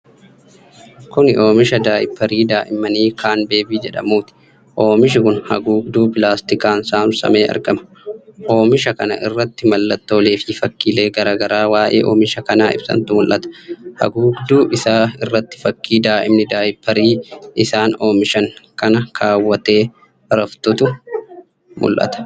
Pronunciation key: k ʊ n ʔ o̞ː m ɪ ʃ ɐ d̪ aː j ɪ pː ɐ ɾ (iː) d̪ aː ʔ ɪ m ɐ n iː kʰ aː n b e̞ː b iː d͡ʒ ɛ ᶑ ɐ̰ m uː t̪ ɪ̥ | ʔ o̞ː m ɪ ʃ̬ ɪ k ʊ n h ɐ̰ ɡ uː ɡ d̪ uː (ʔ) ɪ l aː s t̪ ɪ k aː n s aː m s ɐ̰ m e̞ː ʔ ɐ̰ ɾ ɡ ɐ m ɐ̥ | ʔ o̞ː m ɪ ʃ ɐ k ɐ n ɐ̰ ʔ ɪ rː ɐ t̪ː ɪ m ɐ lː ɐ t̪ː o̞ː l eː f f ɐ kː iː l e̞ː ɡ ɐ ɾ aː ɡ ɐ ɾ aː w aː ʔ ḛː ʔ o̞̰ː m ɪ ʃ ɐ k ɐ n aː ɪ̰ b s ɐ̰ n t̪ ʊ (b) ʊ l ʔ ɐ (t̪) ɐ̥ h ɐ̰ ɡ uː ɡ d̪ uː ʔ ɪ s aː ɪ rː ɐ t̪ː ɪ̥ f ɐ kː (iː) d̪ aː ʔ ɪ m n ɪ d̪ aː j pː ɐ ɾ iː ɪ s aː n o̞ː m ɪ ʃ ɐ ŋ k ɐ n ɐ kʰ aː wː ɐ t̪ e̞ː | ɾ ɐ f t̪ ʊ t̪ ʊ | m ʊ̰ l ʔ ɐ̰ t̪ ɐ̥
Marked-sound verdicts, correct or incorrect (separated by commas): correct, incorrect, incorrect, correct, correct